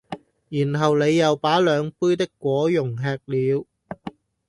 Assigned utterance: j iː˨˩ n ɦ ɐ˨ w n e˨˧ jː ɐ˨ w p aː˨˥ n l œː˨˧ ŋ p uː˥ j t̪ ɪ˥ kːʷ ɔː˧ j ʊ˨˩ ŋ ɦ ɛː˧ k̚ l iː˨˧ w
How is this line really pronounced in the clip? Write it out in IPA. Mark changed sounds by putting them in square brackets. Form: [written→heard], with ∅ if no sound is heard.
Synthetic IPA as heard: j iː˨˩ n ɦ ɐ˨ w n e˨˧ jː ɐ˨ w p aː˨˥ [n→∅] l œː˨˧ ŋ p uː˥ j t̪ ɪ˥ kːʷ [ɔː˧→ɔː˨˥] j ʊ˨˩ ŋ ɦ ɛː˧ k̚ l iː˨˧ w